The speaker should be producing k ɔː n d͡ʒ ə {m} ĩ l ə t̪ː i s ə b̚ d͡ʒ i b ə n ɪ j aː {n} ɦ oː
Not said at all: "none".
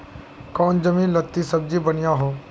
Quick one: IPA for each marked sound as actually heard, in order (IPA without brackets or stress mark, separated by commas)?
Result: m, none